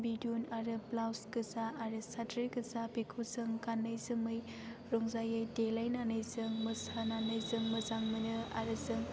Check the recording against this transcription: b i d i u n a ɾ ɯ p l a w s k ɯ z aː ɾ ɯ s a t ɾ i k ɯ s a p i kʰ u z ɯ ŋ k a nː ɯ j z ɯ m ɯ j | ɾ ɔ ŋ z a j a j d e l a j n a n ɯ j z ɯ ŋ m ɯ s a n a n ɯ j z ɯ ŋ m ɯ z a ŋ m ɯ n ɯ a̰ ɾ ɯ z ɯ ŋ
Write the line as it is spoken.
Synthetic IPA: b i d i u n a ɾ ɯ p l a w s k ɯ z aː ɾ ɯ s a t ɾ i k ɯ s a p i kʰ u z ɯ ŋ k a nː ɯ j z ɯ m ɯ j | ɾ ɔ ŋ z a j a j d e l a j n a n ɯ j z ɯ ŋ m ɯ s a n a n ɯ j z ɯ ŋ m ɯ z a ŋ m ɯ n ɯ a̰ ɾ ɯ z ɯ ŋ